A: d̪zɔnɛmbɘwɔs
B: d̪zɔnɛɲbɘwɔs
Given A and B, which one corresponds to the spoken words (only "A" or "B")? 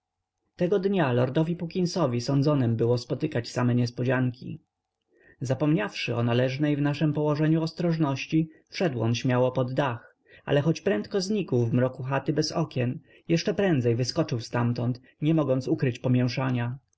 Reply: A